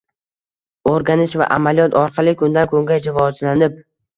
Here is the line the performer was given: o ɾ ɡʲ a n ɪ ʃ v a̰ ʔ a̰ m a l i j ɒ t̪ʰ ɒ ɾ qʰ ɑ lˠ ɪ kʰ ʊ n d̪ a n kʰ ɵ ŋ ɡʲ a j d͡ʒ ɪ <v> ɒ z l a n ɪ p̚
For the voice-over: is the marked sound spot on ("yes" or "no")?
yes